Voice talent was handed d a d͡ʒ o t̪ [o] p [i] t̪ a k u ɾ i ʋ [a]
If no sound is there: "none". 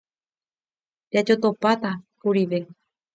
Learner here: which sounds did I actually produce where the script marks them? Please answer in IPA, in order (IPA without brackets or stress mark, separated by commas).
o, a, e